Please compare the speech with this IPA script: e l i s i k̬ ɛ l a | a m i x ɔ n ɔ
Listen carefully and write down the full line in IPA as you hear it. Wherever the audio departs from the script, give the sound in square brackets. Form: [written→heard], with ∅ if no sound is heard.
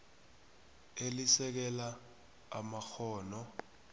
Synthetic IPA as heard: e l i s [i→ɛ] k̬ ɛ l a | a m [i→a] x [ɔ→ɔː] n ɔ